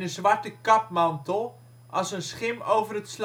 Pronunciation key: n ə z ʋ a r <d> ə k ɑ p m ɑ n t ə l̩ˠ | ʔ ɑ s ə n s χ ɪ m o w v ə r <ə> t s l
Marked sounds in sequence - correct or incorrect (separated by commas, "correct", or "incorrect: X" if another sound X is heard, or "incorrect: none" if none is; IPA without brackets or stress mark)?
incorrect: t, correct